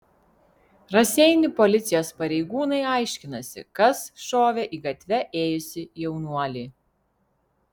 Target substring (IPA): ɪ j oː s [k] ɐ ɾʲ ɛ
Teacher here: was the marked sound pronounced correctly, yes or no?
no